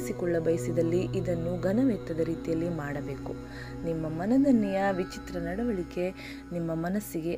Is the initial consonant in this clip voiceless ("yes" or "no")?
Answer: yes